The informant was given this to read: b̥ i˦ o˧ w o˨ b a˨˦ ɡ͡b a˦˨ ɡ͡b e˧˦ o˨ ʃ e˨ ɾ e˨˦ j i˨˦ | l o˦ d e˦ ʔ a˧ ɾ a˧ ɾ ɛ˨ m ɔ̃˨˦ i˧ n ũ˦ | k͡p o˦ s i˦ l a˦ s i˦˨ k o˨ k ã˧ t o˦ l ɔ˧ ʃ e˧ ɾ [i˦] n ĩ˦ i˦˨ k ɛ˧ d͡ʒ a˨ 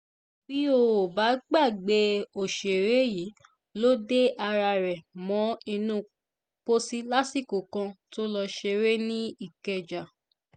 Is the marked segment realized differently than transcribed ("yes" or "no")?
yes